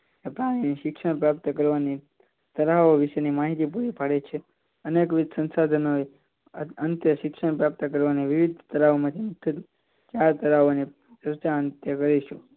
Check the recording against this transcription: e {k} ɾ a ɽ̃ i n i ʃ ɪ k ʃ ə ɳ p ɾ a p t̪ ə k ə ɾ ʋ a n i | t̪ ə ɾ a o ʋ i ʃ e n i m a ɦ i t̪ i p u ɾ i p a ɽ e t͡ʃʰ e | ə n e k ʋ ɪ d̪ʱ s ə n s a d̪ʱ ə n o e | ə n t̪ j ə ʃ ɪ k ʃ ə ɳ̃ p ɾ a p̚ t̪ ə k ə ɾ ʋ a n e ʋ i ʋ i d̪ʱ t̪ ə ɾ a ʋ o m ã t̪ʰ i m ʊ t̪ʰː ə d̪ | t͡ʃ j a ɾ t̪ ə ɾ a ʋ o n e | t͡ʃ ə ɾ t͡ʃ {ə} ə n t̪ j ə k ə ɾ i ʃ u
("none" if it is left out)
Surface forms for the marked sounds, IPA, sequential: p, a

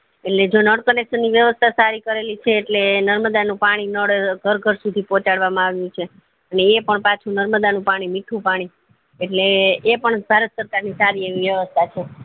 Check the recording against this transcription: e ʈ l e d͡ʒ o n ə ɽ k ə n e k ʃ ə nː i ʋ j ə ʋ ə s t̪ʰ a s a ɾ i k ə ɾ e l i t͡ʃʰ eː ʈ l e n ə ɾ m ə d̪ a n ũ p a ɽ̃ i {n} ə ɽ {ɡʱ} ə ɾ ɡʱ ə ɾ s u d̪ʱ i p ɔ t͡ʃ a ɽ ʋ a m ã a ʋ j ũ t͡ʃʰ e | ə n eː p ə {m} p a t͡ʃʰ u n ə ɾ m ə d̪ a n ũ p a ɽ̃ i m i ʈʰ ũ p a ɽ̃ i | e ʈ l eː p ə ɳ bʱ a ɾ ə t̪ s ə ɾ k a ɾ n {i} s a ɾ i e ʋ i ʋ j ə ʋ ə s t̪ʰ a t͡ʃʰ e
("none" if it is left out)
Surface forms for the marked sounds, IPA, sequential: n, ɡʱ, ɳ, i

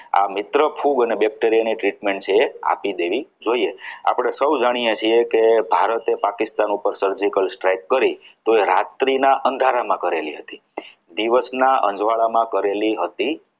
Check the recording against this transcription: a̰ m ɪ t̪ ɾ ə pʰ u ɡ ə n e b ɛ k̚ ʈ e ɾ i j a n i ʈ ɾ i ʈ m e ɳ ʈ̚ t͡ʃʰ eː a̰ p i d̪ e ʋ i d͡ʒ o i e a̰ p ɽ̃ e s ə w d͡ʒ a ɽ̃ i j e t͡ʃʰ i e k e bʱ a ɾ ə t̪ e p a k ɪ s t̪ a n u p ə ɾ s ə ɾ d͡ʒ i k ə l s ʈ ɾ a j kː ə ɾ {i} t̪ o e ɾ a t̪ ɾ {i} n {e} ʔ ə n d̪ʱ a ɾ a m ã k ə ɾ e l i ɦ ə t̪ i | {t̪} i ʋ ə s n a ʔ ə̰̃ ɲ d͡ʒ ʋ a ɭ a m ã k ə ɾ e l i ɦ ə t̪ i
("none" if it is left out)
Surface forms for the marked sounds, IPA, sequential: i, i, a, d̪

